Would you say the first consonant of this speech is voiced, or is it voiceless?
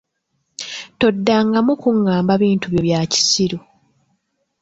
voiceless